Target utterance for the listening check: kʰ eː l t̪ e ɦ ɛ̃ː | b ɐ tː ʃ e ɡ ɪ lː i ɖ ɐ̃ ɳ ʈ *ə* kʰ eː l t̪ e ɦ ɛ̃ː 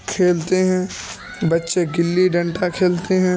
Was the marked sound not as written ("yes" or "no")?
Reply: yes